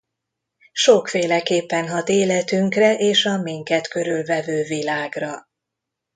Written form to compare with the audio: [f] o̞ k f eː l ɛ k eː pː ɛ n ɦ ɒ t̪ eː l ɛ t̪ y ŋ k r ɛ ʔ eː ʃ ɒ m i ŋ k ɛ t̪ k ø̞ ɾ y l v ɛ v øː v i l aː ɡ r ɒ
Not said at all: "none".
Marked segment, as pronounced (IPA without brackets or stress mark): ʃ